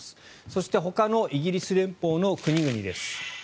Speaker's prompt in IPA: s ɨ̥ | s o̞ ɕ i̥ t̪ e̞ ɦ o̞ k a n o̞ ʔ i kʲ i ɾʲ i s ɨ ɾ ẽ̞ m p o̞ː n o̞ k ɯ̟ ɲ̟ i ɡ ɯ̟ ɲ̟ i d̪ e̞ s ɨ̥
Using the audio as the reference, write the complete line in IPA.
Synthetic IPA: s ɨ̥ | s o̞ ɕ i̥ t̪ e̞ ɦ o̞ k a n o̞ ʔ i ɡʲ i ɾʲ i s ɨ ɾ ẽ̞ m p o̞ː n o̞ k ɯ̟ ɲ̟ i ɡ ɯ̟ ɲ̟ i d̪ e̞ s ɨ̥